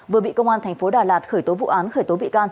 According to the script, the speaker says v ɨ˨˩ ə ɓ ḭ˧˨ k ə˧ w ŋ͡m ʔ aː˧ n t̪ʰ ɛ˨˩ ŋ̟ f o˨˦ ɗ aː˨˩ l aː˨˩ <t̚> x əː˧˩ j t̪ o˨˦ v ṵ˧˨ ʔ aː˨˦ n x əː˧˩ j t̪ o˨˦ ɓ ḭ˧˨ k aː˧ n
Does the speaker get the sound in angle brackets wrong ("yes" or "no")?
no